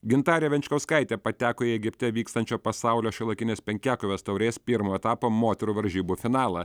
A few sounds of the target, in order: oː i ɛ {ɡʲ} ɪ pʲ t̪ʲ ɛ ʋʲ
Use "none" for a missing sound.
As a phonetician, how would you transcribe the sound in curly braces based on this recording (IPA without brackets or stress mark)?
ɡʲ